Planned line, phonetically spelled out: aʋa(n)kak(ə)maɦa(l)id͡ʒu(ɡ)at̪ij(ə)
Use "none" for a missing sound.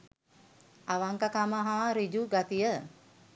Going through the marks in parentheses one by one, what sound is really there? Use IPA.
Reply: ŋ, a, ɾ, ɡ, ə

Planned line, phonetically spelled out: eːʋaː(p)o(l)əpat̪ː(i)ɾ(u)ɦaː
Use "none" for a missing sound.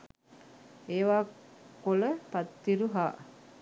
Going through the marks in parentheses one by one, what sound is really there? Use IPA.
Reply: k, l, i, u

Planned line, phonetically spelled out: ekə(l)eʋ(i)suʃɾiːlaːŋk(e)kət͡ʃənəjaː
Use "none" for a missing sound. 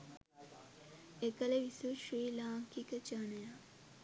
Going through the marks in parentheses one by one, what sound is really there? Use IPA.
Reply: l, i, i

